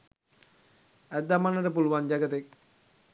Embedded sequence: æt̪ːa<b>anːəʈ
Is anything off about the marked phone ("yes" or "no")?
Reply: yes